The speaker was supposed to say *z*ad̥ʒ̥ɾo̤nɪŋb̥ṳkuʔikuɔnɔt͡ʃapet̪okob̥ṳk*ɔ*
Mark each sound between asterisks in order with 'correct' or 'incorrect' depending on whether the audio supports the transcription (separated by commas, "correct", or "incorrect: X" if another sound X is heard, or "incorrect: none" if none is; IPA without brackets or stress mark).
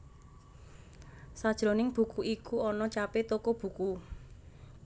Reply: incorrect: s, incorrect: u